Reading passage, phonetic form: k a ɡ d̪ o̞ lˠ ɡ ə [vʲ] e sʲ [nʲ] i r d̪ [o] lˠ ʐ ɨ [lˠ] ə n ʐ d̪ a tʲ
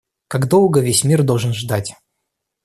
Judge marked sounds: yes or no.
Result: yes, no, yes, no

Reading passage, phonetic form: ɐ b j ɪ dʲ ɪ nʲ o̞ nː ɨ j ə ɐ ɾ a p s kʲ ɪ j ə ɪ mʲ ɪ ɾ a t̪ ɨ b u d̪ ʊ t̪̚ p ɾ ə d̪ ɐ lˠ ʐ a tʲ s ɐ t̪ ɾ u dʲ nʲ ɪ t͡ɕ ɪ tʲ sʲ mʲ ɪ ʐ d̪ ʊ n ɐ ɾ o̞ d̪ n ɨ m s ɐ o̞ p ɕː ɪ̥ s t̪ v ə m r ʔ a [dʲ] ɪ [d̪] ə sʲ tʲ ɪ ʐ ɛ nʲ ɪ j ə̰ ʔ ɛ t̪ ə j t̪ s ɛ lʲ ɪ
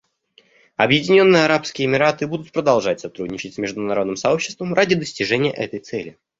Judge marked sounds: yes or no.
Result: yes, yes

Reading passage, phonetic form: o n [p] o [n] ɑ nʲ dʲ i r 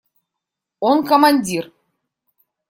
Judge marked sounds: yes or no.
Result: no, no

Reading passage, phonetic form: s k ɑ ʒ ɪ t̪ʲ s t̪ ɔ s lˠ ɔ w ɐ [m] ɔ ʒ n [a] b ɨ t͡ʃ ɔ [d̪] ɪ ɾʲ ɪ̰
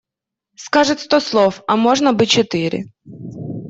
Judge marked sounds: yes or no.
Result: yes, no, no

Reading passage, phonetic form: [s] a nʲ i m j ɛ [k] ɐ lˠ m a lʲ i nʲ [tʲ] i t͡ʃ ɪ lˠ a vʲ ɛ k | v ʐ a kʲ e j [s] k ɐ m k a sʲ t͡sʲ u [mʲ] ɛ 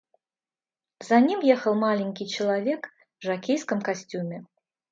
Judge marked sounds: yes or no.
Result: no, no, no, yes, yes

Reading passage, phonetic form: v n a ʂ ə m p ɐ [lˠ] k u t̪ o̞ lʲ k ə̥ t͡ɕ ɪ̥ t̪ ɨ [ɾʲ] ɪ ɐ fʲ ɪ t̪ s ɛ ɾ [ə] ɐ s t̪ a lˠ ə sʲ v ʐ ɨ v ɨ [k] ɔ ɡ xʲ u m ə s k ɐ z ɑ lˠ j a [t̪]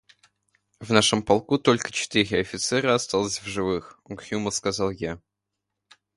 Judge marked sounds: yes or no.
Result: yes, yes, yes, no, no

